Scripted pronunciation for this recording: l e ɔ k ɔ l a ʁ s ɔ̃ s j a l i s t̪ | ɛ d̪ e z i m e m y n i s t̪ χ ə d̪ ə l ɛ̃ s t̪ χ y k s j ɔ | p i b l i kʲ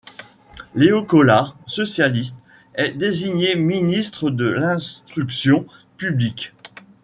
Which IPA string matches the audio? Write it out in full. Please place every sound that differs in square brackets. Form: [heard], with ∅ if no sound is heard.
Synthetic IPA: l e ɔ k ɔ l a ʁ s [ɔ] s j a l i s t̪ | ɛ d̪ e z i [ɲ] e m [i] n i s t̪ χ ə d̪ ə l ɛ̃ s t̪ χ y k s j [ɔ̃] | p [y] b l i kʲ